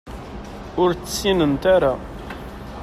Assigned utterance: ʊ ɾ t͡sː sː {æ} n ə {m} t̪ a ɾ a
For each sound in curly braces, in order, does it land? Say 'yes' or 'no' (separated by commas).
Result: no, no